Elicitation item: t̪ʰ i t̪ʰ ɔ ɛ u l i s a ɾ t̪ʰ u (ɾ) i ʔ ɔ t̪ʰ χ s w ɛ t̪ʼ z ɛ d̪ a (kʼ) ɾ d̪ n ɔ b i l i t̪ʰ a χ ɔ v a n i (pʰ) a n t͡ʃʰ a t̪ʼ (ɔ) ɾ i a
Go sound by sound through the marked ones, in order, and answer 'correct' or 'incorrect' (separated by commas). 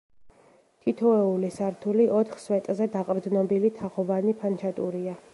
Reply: incorrect, incorrect, correct, incorrect